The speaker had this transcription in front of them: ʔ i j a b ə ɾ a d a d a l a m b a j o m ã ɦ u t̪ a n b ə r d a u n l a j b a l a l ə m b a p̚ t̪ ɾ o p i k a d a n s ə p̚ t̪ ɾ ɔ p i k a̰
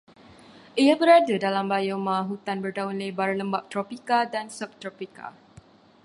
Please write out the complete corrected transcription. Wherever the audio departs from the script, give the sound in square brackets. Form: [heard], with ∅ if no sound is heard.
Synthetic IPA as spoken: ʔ i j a b ə ɾ a d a d a l a m b a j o m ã ɦ u t̪ a n b ə r d a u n l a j b a [ɾ] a l ə m b a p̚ t̪ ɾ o p i k a d a n s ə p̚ t̪ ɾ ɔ p i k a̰